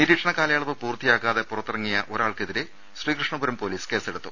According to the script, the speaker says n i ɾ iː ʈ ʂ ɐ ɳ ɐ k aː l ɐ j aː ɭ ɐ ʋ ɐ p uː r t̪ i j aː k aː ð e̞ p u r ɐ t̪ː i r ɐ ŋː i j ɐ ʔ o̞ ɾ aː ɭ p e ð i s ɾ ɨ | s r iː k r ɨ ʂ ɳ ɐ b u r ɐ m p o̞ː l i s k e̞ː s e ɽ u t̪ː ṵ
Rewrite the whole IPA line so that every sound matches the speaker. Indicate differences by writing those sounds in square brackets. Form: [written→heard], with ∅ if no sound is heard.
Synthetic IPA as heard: n i ɾ iː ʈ ʂ ɐ ɳ ɐ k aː l ɐ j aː ɭ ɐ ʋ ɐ p uː r t̪ i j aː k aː ð e̞ p u r ɐ t̪ː i r ɐ ŋː i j ɐ ʔ o̞ ɾ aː ɭ [p→k] e ð i [s→∅] ɾ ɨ | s r iː k r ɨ ʂ ɳ ɐ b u [r→ɾ] ɐ m p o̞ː l [i→iː] s k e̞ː s e ɽ u t̪ː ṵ